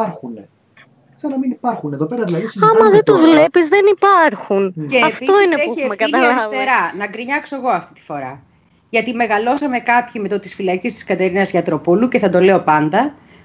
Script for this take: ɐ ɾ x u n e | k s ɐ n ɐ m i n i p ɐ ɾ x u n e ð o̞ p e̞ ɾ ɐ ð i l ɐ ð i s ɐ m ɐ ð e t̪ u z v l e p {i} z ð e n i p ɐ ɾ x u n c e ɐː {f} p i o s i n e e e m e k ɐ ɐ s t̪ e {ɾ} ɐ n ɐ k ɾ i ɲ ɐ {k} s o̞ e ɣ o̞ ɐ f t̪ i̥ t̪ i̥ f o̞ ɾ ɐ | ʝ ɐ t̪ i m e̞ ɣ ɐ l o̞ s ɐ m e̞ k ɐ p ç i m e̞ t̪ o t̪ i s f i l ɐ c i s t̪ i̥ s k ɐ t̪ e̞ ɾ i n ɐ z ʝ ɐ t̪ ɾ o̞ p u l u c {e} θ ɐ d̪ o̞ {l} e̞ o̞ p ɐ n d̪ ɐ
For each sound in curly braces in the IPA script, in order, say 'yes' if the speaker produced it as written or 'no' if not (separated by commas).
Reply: yes, yes, yes, yes, yes, yes